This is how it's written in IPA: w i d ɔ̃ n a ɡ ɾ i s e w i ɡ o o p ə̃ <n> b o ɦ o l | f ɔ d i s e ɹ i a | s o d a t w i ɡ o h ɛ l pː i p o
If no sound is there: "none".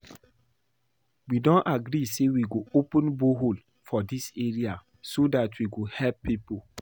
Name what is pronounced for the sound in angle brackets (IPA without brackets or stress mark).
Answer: n